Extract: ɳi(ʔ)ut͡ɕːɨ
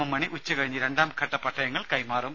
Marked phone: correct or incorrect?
correct